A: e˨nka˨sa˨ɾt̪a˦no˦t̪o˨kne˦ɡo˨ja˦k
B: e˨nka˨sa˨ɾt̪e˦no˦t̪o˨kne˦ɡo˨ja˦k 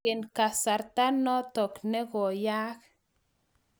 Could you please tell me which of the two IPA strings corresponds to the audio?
A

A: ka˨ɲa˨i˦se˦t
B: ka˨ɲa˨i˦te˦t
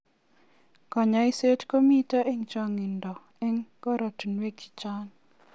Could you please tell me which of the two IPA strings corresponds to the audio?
A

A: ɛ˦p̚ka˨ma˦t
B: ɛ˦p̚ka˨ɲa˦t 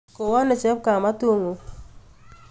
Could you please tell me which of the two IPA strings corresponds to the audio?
A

